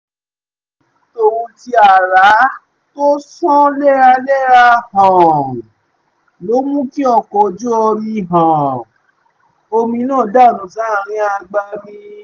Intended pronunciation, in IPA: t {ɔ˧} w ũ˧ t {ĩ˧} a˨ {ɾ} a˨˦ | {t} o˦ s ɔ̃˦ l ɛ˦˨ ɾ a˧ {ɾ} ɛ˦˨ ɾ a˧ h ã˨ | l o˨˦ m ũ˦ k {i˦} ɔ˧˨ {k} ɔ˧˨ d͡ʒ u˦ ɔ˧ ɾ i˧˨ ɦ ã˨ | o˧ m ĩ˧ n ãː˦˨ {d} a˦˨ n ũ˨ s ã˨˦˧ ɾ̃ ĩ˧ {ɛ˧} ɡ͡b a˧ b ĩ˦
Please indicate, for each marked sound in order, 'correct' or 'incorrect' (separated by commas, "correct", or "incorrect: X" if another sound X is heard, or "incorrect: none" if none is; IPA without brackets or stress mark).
incorrect: o˧, incorrect: i˧, correct, correct, incorrect: l, correct, correct, correct, incorrect: a˧